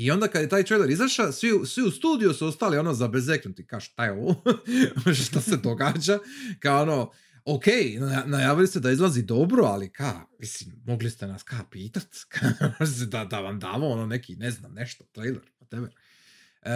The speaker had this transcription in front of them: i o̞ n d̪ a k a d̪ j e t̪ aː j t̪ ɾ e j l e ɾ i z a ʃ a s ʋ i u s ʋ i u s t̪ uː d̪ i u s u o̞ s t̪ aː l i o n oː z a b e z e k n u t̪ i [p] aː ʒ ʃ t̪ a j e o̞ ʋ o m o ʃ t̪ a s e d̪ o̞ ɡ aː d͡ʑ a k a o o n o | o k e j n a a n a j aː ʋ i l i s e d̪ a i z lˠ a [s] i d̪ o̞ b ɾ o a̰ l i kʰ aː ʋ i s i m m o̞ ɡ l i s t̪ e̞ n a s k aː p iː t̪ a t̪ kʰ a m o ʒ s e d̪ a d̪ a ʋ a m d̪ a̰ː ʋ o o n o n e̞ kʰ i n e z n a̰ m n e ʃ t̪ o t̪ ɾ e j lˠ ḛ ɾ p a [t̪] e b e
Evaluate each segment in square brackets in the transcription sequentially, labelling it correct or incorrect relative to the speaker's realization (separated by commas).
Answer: incorrect, incorrect, correct